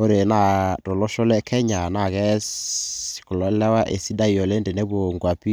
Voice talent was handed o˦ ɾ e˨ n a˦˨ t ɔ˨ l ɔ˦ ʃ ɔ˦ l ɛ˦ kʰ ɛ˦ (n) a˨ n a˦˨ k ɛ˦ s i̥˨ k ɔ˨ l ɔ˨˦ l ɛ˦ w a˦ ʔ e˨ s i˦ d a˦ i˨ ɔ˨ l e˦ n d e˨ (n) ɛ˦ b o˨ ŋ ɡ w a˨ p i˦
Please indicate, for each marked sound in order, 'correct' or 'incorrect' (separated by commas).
incorrect, correct